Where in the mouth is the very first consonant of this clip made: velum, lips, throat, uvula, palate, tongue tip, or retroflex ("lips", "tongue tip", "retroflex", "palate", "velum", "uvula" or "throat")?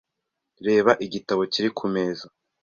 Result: tongue tip